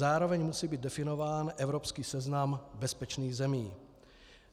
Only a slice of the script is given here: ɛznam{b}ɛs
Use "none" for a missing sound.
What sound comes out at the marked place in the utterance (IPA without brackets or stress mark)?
b